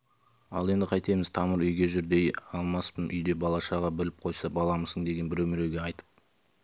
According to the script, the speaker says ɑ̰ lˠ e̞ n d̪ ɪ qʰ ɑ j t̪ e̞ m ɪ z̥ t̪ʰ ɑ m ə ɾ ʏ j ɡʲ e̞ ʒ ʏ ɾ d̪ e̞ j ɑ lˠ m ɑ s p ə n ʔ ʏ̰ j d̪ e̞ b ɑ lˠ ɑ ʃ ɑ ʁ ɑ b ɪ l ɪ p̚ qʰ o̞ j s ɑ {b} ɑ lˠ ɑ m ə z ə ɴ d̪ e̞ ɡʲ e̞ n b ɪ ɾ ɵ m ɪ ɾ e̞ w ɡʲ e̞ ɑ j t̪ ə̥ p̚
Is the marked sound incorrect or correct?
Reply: correct